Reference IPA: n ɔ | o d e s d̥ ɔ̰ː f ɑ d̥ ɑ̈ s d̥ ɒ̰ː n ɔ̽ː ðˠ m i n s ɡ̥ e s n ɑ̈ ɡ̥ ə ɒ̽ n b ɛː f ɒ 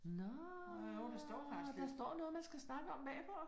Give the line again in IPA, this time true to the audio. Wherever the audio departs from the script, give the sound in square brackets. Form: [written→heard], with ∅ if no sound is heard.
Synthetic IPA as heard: n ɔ | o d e s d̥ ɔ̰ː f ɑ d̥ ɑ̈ s d̥ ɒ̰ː n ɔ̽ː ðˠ m [i→æ] n s ɡ̥ [e→æ] s n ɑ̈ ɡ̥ ə ɒ̽ [n→m] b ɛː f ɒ